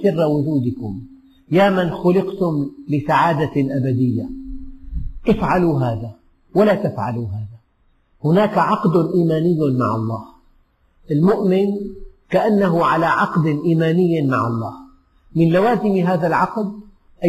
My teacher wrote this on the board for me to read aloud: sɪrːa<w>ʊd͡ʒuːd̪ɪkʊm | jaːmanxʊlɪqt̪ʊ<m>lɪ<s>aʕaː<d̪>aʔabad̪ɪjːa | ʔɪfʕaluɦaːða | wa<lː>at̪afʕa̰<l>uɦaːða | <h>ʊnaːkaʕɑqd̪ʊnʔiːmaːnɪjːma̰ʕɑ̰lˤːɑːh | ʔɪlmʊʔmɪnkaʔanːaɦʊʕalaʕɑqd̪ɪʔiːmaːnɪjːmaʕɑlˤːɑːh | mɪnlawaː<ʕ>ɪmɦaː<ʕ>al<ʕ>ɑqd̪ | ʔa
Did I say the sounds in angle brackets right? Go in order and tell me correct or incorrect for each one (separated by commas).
correct, correct, correct, correct, incorrect, correct, correct, incorrect, incorrect, correct